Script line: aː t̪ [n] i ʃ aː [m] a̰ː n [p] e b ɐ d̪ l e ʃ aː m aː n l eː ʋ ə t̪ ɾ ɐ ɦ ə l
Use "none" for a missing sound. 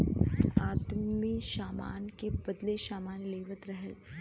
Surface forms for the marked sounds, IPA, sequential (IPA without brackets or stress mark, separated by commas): m, m, k